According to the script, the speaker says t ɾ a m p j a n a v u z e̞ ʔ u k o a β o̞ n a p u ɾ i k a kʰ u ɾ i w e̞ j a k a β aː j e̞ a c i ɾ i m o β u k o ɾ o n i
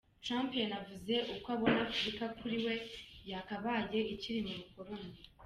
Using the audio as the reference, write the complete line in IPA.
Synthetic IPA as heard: t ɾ a m p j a n a v u z e̞ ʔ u k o a β o̞ n a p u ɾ i k a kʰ u ɾ i w e̞ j a k a β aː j e̞ i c i ɾ i m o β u k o ɾ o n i